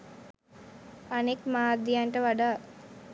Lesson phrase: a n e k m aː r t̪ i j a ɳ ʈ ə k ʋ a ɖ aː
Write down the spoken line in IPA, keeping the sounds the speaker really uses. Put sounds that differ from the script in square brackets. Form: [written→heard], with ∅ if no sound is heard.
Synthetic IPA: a n e k m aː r [t̪→d̪] i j a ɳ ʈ ə [k→∅] ʋ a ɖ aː

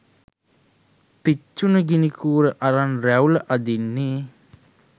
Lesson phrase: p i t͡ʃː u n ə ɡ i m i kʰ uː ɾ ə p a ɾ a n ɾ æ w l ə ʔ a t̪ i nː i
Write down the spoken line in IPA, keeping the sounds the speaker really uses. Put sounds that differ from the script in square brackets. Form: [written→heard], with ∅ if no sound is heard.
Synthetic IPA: p i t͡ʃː u n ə ɡ i [m→n] i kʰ uː ɾ ə [p→ʔ] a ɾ a n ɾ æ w l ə ʔ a [t̪→d̪] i nː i

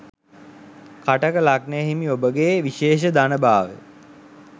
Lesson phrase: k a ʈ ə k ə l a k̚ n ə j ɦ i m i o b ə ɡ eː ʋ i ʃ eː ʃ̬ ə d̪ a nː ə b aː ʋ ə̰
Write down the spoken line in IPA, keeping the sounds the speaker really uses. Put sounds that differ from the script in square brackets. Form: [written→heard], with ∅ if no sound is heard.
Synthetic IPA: k a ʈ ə k ə l a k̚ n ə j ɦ i m i o b ə ɡ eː ʋ i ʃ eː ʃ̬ ə d̪ a [nː→n] ə b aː ʋ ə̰

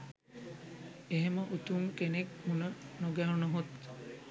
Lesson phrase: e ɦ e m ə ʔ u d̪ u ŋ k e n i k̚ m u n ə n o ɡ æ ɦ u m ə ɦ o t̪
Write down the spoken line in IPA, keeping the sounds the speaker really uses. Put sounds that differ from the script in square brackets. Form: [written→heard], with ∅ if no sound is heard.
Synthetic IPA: e ɦ e m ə ʔ u [d̪→t̪] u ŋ k e n [i→e] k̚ m u n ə n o ɡ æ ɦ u [m→n] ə ɦ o t̪

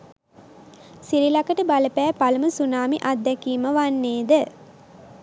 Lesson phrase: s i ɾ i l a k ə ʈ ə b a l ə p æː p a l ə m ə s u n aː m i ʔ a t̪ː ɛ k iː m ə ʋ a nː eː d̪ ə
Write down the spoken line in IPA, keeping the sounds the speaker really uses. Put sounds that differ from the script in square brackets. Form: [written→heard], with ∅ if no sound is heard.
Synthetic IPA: s i ɾ i l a k ə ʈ ə b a l ə p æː p a l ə m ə s u n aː m i ʔ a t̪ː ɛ k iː m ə ʋ a nː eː d̪ ə

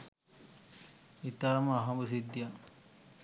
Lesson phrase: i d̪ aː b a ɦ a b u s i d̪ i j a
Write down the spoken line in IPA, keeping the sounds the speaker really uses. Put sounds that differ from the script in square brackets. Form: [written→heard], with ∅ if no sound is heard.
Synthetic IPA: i [d̪→t̪] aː [b→m] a ɦ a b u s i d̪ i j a

